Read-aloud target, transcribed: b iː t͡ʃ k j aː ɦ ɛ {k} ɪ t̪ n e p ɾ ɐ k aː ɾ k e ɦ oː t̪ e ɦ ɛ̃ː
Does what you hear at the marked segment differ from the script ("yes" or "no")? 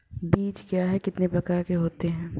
no